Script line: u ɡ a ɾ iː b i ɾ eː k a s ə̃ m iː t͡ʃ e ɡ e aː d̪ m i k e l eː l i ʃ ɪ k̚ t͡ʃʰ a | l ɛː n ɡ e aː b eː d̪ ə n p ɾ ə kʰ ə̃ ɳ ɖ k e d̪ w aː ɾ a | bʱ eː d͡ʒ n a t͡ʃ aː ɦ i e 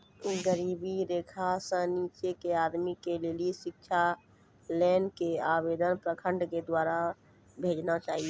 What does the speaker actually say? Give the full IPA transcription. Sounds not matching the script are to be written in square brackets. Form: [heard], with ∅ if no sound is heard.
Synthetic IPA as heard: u ɡ [ə] ɾ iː b i ɾ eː [kʰ] a s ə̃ [n] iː t͡ʃ e [k] e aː d̪ m i k e l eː l i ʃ ɪ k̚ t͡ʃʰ a | l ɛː n [k] e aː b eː d̪ ə n p ɾ ə kʰ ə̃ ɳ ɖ k e d̪ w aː ɾ a | bʱ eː d͡ʒ n a t͡ʃ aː ɦ i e